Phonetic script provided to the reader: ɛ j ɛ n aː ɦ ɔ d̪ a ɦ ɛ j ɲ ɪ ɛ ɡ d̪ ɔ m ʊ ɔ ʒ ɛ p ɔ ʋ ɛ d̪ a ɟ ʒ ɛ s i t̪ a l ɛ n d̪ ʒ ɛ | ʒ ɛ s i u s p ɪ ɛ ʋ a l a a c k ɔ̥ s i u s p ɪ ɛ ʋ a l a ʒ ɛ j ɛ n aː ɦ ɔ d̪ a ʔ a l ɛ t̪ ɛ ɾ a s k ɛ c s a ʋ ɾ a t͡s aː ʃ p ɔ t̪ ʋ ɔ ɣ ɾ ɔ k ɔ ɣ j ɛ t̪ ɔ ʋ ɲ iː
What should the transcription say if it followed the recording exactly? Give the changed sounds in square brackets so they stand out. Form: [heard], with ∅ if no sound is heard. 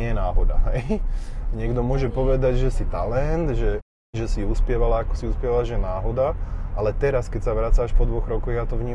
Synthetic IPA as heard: ɛ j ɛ n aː ɦ ɔ d̪ a ɦ ɛ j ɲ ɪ ɛ ɡ d̪ ɔ m ʊ ɔ ʒ ɛ p ɔ ʋ ɛ d̪ a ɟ ʒ ɛ s i t̪ a l ɛ n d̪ ʒ ɛ | ʒ ɛ s i u s p ɪ ɛ ʋ a l a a [∅] k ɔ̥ s i u s p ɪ ɛ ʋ a l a ʒ ɛ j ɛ n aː ɦ ɔ d̪ a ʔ a l ɛ t̪ ɛ ɾ a s k ɛ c s a ʋ ɾ a t͡s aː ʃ p ɔ [d̪] ʋ ɔ ɣ ɾ ɔ k ɔ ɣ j [a] t̪ ɔ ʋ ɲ iː